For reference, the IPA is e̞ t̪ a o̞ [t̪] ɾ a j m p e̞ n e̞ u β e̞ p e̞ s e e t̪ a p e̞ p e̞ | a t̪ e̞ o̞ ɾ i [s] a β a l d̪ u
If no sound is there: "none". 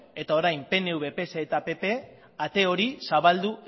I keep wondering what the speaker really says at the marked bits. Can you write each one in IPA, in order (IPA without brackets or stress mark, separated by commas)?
none, s